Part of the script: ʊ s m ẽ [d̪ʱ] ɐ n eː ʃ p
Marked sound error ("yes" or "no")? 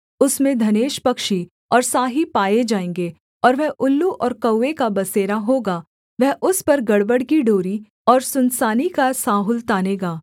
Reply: no